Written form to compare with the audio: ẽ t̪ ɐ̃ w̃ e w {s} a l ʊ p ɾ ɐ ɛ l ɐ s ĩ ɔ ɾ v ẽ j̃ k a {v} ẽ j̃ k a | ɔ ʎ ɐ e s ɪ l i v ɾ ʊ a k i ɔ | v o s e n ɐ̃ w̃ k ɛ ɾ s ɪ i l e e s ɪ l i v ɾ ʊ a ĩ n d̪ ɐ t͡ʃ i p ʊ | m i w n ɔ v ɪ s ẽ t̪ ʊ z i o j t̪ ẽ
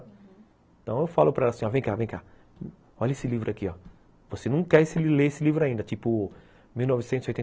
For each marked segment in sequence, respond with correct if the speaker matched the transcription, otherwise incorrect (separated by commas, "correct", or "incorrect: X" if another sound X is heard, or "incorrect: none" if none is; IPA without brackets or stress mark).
incorrect: f, correct